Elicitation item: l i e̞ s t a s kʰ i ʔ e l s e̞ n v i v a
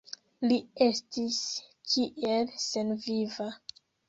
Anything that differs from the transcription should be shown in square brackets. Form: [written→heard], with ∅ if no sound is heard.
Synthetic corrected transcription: l i e̞ s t [a→i] s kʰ i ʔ e l s e̞ n v i v a

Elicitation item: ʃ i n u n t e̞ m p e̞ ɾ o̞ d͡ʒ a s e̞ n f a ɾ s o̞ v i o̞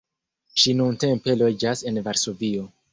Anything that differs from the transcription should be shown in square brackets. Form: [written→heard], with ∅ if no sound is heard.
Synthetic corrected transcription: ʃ i n u n t e̞ m p e̞ [ɾ→l] o̞ d͡ʒ a s e̞ n [f→v] a ɾ s o̞ v i o̞

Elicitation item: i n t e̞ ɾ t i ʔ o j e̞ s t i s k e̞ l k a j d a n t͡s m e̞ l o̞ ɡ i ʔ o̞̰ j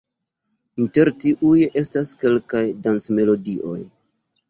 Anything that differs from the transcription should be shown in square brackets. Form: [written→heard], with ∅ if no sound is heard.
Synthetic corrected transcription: i n t e̞ ɾ t i ʔ [o→u] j e̞ s t [i→a] s k e̞ l k a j d a n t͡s m e̞ l o̞ [ɡ→d] i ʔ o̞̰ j

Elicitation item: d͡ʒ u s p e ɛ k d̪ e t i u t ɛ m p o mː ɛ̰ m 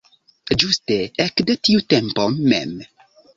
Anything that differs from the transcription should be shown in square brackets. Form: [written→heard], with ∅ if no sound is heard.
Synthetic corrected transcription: d͡ʒ u s [p→t] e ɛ k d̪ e t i u t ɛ m p o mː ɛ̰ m

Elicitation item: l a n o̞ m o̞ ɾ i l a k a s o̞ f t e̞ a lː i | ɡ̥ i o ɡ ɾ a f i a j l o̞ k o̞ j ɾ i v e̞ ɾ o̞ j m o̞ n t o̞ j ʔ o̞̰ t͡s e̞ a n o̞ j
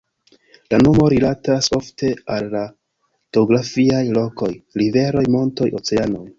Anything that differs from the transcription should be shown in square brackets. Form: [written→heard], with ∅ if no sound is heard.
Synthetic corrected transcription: l a n o̞ m o̞ ɾ i l a [k→t] a s o̞ f t e̞ a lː [i→a] | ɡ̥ [i→e] o ɡ ɾ a f i a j l o̞ k o̞ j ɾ i v e̞ ɾ o̞ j m o̞ n t o̞ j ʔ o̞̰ t͡s e̞ a n o̞ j

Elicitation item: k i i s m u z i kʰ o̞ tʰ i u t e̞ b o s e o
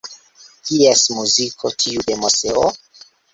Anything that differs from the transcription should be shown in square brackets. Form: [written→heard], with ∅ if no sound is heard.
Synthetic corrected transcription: k i [i→e] s m u z i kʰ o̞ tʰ i u [t→d] e̞ [b→m] o s e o

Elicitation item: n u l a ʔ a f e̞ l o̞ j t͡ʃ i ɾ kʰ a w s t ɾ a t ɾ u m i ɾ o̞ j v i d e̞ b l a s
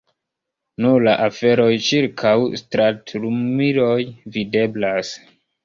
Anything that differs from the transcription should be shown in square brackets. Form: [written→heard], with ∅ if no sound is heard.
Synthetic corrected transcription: n u l a ʔ a f e̞ [l→ɾ] o̞ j t͡ʃ i ɾ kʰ a w s t ɾ a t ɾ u m i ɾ o̞ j v i d e̞ b l a s

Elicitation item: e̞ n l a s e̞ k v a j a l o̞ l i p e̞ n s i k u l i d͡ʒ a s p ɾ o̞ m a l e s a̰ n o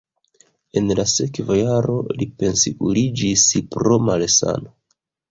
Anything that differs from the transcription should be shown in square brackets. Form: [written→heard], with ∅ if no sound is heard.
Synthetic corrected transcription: e̞ n l a s e̞ k v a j a [l→ɾ] o̞ l i p e̞ n s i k u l i d͡ʒ [a→i] s p ɾ o̞ m a l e s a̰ n o

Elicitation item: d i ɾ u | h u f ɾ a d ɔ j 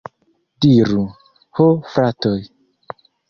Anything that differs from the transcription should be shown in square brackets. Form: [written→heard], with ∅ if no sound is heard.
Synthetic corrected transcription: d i ɾ u | h [u→o] f ɾ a [d→t] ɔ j

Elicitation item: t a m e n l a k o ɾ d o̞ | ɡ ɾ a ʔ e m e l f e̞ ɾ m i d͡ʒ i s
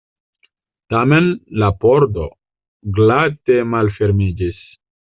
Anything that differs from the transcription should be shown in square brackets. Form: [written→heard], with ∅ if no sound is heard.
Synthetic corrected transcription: t a m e n l a [k→p] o ɾ d o̞ | ɡ [ɾ→l] a [ʔ→t] e m [e→a] l f e̞ ɾ m i d͡ʒ i s

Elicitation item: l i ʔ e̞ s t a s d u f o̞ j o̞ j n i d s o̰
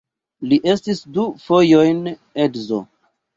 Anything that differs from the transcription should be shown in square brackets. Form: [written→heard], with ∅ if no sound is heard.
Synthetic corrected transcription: l i ʔ e̞ s t [a→i] s d u f o̞ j o̞ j n [i→e] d [s→z] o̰

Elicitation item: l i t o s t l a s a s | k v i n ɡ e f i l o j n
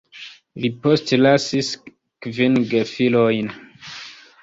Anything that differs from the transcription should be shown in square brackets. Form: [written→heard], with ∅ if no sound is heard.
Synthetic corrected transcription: l i [t→p] o s t l a s [a→i] s | k v i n ɡ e f i l o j n

